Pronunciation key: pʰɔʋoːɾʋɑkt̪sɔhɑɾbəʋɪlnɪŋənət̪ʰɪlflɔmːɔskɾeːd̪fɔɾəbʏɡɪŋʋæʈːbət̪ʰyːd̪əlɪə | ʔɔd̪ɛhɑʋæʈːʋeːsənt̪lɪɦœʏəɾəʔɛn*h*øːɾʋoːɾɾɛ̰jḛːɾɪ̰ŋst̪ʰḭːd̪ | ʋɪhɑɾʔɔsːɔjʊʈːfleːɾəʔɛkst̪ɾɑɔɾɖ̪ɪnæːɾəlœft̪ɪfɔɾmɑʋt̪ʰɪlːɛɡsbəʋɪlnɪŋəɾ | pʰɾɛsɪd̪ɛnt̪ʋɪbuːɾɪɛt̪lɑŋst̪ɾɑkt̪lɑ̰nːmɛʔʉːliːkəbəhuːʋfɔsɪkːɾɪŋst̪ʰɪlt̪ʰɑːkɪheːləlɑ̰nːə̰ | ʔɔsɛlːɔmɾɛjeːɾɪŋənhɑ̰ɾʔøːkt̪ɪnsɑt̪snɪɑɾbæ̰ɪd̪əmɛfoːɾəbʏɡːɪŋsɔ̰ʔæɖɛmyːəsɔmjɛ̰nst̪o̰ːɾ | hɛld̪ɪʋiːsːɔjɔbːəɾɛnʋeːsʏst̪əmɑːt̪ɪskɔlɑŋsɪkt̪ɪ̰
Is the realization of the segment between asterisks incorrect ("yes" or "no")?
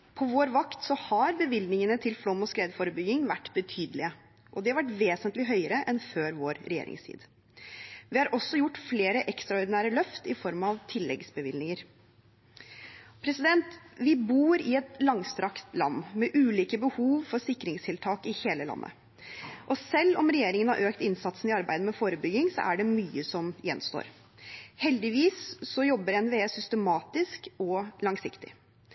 yes